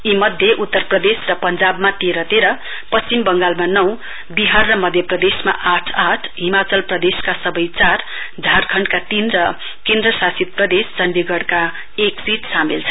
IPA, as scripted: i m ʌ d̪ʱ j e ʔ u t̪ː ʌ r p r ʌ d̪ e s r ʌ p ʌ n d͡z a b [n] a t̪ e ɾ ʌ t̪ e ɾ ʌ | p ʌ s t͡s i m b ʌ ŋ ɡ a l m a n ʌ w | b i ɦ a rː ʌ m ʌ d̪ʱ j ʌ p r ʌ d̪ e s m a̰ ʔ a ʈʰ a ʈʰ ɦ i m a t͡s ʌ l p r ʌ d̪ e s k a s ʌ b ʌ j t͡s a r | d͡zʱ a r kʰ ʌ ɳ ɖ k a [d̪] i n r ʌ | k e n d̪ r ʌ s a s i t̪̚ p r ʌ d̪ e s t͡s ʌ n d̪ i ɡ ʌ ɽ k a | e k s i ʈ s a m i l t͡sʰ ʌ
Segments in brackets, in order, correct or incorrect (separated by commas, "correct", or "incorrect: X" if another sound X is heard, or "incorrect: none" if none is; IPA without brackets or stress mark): incorrect: m, incorrect: t̪